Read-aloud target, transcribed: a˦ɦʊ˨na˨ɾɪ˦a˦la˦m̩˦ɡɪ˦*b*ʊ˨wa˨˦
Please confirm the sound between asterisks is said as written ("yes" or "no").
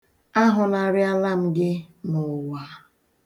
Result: no